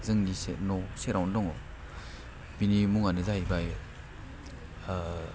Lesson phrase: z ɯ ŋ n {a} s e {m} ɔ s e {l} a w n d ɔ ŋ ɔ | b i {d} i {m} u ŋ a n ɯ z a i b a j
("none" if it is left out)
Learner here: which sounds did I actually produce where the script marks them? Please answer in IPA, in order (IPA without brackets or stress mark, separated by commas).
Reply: i, n, ɾ, n, m